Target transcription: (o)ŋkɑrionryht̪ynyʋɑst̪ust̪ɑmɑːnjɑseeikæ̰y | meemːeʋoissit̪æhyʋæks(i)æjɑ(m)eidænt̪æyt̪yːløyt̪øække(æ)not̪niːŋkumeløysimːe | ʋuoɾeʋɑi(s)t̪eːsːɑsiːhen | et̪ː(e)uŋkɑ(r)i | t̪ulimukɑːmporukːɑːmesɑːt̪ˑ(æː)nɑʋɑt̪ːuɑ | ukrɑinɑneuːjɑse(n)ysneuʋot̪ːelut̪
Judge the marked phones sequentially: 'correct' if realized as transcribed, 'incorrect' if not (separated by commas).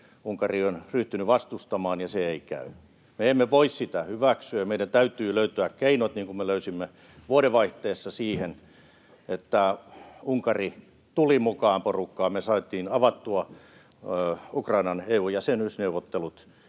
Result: incorrect, incorrect, correct, incorrect, incorrect, incorrect, correct, incorrect, correct